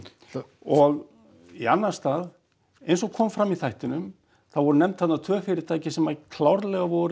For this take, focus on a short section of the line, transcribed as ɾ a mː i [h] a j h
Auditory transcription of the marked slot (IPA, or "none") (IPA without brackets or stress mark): θ